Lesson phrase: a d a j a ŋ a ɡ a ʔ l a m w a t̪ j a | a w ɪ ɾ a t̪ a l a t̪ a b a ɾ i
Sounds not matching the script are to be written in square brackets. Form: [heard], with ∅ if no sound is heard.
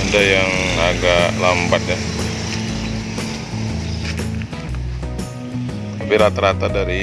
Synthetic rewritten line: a d a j a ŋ a ɡ a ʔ l a m [b] a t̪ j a | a [b] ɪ ɾ a t̪ a [ɾ] a t̪ a [d] a ɾ i